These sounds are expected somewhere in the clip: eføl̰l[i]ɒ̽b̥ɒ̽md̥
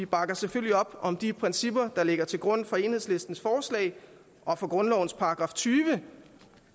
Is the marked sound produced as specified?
yes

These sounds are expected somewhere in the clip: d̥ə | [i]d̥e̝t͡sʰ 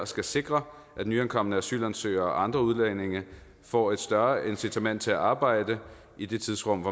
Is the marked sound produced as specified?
yes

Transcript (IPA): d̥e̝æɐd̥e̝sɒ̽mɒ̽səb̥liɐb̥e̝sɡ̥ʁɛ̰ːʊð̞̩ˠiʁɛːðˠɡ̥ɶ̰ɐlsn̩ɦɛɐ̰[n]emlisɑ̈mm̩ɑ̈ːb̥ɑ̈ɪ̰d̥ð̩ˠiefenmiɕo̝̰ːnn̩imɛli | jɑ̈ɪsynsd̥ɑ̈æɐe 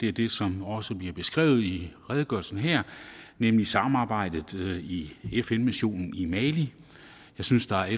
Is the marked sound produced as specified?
yes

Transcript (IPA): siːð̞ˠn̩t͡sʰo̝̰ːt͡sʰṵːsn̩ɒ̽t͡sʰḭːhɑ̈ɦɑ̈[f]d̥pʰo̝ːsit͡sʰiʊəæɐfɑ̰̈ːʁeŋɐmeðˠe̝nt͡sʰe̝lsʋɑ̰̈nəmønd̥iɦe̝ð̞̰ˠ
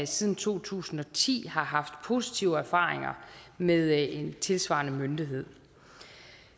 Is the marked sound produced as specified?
yes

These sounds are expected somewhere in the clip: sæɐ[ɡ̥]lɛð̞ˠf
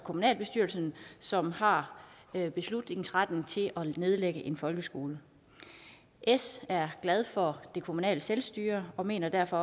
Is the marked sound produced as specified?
yes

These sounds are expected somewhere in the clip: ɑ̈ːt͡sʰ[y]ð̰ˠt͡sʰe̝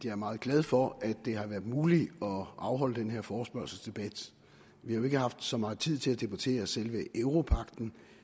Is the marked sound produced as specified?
no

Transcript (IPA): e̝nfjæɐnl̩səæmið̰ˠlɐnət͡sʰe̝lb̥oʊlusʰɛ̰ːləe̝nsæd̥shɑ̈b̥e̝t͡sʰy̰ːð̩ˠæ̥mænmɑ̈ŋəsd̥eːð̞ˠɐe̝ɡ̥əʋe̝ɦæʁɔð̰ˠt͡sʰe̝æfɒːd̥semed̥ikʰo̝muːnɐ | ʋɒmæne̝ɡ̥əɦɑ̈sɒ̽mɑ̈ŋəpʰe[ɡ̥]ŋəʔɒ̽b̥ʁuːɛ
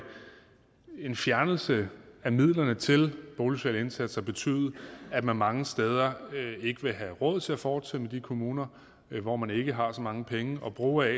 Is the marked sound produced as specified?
no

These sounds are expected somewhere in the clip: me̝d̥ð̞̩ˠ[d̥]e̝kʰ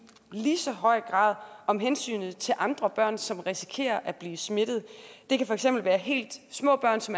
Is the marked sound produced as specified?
yes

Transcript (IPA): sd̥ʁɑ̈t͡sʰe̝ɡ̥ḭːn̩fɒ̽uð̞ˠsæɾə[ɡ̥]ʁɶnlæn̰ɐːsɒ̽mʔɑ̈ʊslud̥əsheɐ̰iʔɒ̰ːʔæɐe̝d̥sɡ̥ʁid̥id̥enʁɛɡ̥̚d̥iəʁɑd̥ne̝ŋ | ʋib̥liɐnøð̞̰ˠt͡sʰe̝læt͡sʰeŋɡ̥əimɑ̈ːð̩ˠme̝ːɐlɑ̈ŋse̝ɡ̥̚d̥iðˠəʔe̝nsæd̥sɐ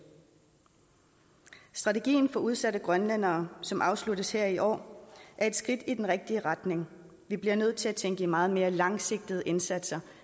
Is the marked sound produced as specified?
yes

